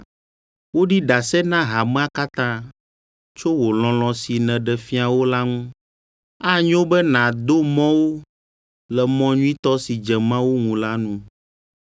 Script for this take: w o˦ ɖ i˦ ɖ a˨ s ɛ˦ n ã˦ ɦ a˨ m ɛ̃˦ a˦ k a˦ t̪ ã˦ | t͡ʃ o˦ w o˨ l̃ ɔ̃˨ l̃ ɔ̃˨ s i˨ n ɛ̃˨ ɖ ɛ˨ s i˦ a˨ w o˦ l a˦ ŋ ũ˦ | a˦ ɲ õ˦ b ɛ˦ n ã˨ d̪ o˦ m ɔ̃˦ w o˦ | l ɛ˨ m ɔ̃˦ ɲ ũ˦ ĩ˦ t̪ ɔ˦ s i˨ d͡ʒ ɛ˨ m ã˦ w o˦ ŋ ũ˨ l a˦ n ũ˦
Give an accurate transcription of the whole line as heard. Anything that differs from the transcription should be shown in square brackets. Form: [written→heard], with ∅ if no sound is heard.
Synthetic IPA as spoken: w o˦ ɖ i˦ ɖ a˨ s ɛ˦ n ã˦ ɦ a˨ m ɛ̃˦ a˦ k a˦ t̪ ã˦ | t͡ʃ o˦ w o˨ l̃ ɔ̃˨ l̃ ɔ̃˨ s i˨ n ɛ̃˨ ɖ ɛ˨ [s→f] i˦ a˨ w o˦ l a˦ ŋ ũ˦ | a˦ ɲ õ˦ b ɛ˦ n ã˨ d̪ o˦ m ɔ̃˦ w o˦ | l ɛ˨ m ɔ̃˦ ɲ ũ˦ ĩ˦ t̪ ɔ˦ s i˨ d͡ʒ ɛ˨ m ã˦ w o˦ ŋ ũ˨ l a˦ n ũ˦